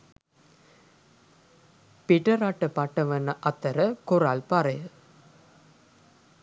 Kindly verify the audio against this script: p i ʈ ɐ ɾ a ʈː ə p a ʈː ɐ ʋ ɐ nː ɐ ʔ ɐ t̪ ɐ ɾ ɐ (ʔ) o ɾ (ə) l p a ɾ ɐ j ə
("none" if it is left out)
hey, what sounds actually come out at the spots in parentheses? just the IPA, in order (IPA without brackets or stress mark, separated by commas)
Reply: k, a